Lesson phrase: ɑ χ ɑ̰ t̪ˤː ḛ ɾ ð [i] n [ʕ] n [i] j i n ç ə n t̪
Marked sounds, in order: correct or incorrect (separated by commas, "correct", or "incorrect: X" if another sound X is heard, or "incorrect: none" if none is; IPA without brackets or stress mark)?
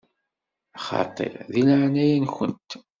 correct, correct, incorrect: æ